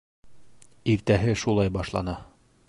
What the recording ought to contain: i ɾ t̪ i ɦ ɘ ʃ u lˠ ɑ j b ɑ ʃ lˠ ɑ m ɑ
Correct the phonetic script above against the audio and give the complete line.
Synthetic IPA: i ɾ t̪ æ ɦ ɘ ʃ u lˠ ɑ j b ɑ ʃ lˠ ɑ n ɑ